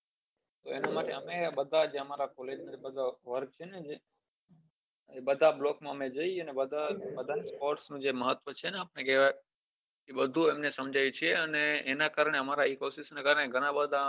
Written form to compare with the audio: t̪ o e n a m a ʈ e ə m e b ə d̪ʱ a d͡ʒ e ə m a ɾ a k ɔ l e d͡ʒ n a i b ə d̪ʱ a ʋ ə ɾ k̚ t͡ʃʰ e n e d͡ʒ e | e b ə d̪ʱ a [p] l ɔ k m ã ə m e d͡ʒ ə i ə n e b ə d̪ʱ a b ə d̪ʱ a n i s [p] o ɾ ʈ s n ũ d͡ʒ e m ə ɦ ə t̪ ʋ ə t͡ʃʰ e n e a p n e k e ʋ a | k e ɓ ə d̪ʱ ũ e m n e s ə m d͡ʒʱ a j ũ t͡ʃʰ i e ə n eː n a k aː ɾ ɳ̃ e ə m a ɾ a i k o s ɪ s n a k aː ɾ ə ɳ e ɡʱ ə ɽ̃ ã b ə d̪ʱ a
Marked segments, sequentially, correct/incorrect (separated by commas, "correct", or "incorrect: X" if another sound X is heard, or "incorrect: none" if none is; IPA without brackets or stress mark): incorrect: b, correct